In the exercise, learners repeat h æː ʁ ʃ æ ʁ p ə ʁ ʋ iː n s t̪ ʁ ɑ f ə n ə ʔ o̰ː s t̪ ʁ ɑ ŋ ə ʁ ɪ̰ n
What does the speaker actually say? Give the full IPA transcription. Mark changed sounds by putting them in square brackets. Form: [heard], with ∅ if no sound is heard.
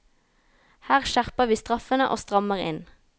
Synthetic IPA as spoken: h æː ʁ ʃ æ ʁ p ə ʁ ʋ iː [∅] s t̪ ʁ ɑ f ə n ə ʔ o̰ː s t̪ ʁ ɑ [m] ə ʁ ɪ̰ n